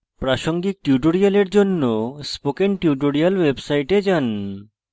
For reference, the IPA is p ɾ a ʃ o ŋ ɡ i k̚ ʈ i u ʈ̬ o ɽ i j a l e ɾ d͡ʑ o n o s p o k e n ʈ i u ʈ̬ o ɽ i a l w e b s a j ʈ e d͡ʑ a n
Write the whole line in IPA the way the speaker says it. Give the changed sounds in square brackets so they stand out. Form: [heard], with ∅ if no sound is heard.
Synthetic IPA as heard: p ɾ a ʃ o ŋ ɡ i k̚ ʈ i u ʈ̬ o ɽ i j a l e ɾ d͡ʑ o [nː] o s p o k e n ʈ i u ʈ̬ o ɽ i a l w e b s a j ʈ e d͡ʑ a n